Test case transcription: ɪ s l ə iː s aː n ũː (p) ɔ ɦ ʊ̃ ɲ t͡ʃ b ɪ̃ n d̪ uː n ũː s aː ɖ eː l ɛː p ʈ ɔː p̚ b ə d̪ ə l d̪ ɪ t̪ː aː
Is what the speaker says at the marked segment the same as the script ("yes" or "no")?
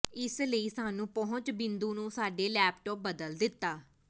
yes